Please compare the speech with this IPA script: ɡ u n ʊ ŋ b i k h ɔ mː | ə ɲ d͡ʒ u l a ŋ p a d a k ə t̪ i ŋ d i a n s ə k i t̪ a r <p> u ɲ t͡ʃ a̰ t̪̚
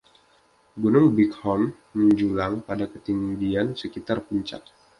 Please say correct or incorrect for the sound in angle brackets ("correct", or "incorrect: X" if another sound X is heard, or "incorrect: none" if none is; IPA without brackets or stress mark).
correct